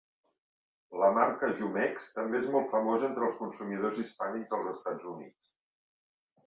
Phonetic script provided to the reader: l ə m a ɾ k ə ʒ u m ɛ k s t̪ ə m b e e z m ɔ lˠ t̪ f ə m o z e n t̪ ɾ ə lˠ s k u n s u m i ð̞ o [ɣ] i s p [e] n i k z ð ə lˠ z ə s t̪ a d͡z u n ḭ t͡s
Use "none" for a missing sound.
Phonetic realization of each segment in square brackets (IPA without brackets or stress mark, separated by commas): z, a